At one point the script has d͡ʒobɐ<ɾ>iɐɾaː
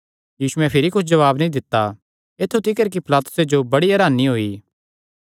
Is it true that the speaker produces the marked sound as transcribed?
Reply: no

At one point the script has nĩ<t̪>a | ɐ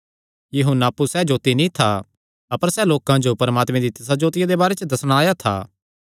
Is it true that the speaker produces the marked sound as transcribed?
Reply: no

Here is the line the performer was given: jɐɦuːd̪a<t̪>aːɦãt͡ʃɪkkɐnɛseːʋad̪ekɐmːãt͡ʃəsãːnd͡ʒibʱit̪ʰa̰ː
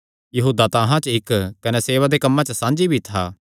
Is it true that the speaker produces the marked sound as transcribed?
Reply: yes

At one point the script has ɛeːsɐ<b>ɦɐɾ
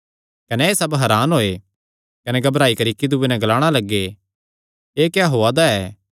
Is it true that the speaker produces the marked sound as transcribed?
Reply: yes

